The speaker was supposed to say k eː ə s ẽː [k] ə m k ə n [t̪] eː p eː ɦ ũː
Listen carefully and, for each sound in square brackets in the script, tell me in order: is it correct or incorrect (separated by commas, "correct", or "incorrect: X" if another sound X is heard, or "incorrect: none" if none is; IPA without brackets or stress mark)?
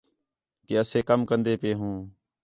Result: correct, incorrect: d̪